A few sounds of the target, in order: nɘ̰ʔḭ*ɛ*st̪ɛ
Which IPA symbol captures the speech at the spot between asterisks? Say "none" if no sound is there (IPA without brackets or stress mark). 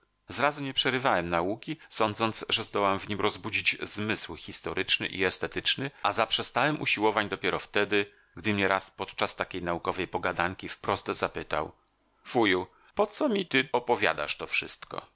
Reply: ɛ